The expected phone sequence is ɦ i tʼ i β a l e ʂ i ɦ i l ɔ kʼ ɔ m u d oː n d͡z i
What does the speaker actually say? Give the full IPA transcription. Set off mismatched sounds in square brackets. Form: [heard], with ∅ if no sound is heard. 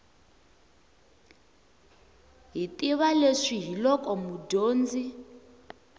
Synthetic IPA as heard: ɦ i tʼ i β a l e ʂ i ɦ i l ɔ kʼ ɔ m u d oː n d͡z i